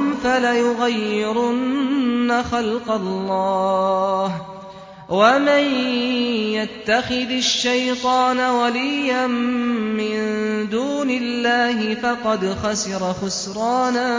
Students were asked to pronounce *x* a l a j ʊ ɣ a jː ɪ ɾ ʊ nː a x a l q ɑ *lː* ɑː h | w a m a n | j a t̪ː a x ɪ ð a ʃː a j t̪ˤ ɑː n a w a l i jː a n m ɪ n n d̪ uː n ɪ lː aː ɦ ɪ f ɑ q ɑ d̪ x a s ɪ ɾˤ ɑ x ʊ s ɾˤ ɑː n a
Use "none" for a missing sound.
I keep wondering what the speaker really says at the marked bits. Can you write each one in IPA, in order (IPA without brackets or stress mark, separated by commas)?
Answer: f, lː